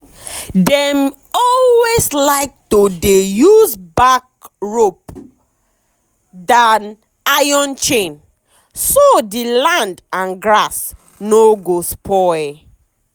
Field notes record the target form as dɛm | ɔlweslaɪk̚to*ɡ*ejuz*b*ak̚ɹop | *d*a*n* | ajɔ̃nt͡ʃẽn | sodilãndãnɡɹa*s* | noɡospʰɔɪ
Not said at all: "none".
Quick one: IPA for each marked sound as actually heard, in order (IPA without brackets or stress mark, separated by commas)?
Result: d, b, d, n, s